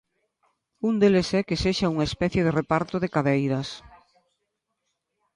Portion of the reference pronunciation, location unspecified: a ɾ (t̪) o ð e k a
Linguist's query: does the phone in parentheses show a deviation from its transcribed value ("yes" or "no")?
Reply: no